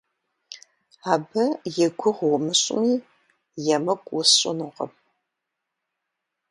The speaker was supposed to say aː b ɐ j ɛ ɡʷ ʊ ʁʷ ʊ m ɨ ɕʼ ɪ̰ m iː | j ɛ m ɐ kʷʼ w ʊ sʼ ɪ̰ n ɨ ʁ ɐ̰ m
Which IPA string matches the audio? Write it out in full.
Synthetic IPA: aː b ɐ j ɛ ɡʷ ʊ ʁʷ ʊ m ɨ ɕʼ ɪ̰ m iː | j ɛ m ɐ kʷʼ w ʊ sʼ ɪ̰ n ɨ ʁ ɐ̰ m